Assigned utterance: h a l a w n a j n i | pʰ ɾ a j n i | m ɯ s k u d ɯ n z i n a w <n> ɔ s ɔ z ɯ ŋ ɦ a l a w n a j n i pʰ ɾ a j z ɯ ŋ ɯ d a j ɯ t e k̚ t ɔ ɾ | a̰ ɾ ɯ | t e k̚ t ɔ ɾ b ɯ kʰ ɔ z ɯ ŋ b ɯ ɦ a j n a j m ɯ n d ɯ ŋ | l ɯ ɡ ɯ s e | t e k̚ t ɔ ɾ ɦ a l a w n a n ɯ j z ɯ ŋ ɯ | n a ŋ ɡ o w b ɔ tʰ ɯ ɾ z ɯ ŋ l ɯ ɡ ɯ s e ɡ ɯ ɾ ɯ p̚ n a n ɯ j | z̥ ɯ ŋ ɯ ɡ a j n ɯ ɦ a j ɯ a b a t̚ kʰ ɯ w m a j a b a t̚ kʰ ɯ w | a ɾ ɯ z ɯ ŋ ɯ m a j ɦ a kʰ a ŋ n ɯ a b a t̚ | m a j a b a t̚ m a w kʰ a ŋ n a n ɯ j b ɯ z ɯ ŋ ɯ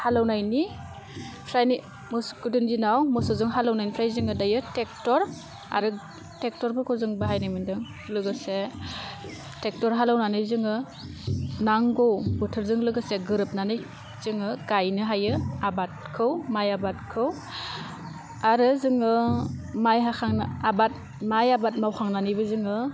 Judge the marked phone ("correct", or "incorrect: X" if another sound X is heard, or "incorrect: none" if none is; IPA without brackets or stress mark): incorrect: m